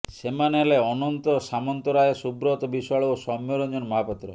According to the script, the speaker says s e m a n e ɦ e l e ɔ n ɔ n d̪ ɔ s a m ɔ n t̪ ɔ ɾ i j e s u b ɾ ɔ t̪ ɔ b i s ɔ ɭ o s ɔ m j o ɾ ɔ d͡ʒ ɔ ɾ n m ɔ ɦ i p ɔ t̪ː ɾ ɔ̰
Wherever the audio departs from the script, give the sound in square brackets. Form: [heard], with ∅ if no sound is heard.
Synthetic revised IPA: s e m a n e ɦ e l e ɔ n ɔ n [t̪] ɔ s a m ɔ n t̪ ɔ ɾ [a] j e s u b ɾ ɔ t̪ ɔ b i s ɔ ɭ o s ɔ m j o ɾ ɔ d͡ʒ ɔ [∅] n m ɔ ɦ [a] p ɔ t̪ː ɾ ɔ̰